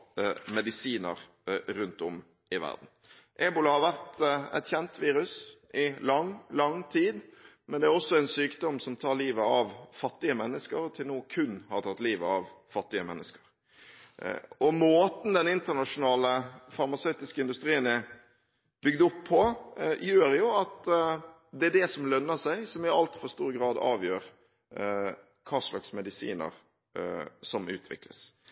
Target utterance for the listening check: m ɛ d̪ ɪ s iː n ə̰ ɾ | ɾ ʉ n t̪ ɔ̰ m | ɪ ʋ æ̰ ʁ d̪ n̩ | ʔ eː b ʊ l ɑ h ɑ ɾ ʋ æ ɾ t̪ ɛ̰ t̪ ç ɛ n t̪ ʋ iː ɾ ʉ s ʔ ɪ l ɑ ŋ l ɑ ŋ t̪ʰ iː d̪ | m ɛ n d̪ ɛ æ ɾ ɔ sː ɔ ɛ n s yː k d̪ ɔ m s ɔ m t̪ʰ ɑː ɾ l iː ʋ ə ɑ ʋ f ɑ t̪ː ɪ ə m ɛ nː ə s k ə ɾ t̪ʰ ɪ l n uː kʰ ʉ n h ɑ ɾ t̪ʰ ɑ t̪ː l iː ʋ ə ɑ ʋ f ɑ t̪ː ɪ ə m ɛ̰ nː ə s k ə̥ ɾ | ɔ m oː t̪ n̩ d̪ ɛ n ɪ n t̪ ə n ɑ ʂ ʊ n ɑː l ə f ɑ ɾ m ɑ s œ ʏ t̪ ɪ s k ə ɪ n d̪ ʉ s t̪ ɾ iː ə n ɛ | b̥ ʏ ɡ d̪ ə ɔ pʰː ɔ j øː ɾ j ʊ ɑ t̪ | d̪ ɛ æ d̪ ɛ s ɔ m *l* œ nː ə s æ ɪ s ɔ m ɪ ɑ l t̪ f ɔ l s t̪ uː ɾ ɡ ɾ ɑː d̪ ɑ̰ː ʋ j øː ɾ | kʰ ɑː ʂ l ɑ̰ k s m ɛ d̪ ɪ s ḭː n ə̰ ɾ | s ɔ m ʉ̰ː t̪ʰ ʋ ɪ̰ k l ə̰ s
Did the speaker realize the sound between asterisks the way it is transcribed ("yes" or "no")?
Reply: yes